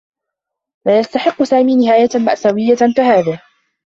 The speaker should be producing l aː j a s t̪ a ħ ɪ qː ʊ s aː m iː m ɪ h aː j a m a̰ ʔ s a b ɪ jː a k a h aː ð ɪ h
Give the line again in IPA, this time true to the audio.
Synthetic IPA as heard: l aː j a s t̪ a ħ ɪ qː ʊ s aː m iː n ɪ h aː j a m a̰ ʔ s a w ɪ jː a k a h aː ð ɪ h